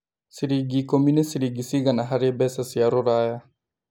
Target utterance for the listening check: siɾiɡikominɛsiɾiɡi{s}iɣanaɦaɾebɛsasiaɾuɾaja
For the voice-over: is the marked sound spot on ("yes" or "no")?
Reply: yes